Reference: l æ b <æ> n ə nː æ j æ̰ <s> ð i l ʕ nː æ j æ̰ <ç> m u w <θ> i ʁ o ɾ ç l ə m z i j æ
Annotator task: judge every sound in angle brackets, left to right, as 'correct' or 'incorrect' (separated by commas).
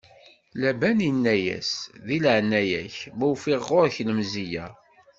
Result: correct, correct, correct, incorrect